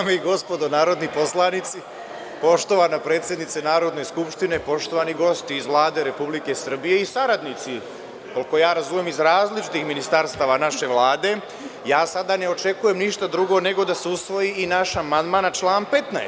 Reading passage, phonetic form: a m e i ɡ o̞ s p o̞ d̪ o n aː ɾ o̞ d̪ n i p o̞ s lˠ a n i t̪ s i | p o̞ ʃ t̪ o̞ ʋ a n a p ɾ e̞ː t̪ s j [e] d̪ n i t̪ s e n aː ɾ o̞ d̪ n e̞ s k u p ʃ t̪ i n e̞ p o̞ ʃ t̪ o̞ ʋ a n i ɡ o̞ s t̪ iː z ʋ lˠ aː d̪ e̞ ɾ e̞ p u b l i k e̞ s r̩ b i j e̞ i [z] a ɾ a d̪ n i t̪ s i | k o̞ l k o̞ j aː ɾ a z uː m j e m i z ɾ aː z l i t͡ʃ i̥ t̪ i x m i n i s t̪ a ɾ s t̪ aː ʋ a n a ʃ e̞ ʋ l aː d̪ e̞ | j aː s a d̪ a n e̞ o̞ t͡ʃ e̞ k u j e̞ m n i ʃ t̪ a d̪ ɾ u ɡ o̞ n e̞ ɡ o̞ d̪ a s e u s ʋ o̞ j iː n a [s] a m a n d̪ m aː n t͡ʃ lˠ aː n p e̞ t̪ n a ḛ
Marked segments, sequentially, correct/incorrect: correct, incorrect: s, incorrect: ʃ

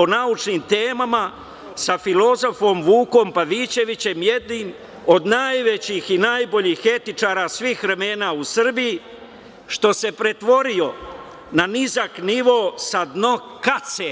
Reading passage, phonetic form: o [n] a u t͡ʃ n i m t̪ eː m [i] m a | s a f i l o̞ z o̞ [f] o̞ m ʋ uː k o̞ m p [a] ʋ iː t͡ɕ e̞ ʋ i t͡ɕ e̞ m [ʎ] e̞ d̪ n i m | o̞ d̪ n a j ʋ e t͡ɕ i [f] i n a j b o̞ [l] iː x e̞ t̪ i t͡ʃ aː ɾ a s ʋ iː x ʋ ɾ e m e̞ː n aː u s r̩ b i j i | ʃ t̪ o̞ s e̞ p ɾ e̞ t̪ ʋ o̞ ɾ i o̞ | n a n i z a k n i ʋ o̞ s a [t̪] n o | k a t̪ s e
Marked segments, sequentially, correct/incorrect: correct, incorrect: a, correct, correct, incorrect: j, incorrect: x, incorrect: ʎ, incorrect: d̪

